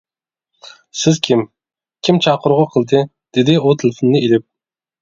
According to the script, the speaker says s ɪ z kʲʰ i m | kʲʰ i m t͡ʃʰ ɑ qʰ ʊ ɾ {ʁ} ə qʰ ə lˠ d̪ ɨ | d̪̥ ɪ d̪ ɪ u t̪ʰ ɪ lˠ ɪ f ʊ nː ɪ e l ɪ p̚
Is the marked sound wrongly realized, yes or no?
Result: no